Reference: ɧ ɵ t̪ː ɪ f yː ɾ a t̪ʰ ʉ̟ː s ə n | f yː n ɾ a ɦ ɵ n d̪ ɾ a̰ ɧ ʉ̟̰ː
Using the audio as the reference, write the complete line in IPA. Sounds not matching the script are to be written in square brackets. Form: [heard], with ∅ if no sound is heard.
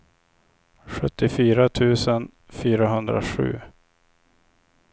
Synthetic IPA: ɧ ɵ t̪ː ɪ f yː ɾ a t̪ʰ ʉ̟ː s ə n | f yː [∅] ɾ a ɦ ɵ n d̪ ɾ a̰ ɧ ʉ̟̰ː